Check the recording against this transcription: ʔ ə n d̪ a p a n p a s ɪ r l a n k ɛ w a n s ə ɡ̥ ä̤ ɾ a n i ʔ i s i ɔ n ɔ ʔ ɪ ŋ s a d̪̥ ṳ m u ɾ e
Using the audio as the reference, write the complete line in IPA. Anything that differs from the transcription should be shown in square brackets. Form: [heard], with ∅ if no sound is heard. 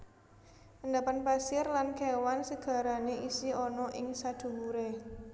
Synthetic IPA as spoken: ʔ ə n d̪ a p a n p a s ɪ r l a n k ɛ w a n s ə ɡ̥ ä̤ ɾ a n [e] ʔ i s i ɔ n ɔ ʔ ɪ ŋ s a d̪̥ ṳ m u ɾ e